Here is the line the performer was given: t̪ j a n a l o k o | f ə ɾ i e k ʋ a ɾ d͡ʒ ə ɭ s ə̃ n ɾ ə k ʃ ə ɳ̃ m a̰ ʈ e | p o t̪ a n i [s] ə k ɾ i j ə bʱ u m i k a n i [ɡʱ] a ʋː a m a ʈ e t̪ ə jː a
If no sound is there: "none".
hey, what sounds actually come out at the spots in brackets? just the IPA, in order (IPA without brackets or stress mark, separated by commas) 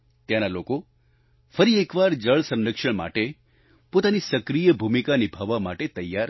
s, bʱ